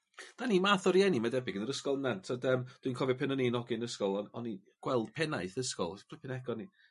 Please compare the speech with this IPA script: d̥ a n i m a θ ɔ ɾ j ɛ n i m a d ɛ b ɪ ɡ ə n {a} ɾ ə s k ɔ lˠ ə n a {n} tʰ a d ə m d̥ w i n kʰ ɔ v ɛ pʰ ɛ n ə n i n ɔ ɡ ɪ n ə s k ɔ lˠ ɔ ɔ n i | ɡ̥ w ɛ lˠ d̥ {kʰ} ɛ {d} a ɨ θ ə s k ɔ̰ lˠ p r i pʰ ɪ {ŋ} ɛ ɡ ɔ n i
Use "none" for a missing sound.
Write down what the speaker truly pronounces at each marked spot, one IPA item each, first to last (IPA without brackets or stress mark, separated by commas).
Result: ə, n, pʰ, n, n